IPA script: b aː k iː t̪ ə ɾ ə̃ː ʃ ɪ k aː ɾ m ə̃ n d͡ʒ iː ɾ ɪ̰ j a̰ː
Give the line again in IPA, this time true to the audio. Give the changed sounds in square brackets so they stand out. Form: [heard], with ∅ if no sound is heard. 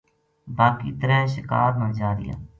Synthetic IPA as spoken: b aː k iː t̪ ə ɾ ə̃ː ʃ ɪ k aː ɾ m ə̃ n d͡ʒ [aː] ɾ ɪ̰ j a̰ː